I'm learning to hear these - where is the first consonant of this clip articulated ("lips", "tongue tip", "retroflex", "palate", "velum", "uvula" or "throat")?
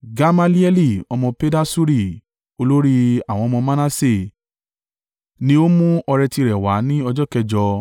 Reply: velum